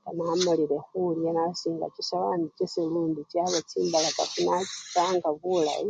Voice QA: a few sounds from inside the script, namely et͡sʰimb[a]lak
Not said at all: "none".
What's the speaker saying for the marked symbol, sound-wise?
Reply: a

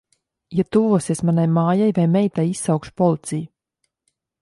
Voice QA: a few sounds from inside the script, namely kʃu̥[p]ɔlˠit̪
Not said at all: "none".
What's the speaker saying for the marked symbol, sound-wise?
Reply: p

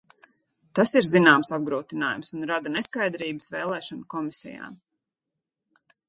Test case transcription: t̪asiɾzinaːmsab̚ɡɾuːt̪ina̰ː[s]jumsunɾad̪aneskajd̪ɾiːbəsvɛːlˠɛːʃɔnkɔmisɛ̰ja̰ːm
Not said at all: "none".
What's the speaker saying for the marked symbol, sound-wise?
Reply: none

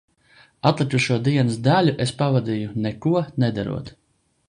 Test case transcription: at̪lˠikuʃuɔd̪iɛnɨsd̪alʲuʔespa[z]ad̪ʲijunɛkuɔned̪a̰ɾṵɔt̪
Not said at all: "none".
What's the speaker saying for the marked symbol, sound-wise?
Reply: v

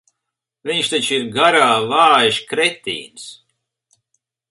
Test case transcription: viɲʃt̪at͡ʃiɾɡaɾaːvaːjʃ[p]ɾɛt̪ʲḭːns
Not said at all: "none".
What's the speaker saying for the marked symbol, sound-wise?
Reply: k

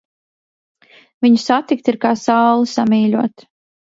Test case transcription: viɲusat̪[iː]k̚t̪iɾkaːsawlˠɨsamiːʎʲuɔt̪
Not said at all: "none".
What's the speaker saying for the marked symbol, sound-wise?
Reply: i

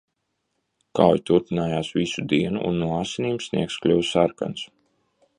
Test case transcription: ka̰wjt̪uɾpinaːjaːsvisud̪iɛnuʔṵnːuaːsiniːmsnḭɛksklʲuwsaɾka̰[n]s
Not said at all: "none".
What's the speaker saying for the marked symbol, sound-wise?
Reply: n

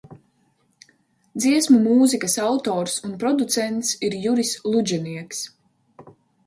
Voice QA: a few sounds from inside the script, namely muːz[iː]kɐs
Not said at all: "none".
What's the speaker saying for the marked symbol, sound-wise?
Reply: i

